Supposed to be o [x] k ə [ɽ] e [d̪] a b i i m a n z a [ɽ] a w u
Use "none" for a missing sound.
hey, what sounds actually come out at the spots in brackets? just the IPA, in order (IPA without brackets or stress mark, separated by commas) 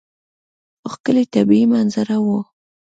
x, l, t̪, ɾ